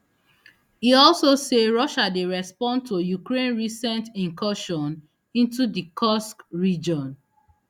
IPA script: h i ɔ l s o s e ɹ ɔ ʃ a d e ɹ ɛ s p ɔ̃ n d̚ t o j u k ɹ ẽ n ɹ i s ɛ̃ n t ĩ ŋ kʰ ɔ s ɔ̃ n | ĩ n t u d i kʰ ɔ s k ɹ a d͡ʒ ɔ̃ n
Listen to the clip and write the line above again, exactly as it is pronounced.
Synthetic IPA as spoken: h i ɔ l s o s e ɹ ɔ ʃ a d e ɹ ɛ s p ɔ̃ n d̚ t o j u k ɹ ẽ n ɹ i s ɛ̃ n t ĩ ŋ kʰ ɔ ʃ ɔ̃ n | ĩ n t u d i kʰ ɔ s k ɹ i d͡ʒ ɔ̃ n